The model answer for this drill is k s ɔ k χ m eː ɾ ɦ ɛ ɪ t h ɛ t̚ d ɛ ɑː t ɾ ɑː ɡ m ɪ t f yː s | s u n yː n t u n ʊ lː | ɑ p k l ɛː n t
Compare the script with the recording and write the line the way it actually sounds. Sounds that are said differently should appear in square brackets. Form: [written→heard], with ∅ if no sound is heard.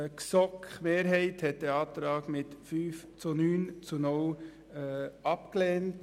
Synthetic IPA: k s ɔ k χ m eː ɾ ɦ ɛ ɪ t h ɛ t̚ d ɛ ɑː t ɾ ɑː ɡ m ɪ t f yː [s→f] | [s→t͡s] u n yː n [t→t͡s] u n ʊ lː | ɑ p k l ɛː n t